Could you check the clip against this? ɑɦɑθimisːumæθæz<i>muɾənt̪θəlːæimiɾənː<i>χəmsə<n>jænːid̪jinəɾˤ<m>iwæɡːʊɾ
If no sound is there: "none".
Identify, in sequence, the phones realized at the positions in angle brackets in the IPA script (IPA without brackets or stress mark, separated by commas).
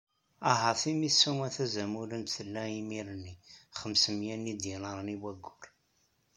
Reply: æ, i, m, n